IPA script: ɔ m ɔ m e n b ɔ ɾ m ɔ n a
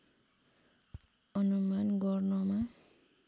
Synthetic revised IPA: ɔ n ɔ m a n ɡ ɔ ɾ n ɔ m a